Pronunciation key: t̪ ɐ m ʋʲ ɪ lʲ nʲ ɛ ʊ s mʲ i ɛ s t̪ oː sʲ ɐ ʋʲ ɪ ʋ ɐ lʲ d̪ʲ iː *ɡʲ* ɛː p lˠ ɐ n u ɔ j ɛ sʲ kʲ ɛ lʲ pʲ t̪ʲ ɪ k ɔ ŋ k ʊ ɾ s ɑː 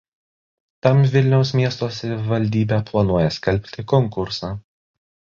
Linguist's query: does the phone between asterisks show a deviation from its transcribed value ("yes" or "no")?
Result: yes